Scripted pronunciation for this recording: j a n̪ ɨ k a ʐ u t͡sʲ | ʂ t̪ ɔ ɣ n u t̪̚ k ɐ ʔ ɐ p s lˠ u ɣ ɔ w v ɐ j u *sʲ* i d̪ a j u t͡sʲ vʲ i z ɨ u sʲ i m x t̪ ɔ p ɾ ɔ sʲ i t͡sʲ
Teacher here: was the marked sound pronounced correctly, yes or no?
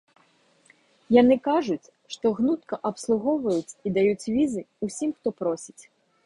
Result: no